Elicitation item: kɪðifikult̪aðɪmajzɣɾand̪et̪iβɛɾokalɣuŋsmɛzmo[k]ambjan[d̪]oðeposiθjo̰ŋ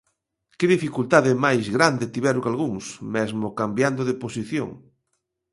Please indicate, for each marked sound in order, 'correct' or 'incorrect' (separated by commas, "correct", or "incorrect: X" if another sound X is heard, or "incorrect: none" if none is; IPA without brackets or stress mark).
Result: correct, correct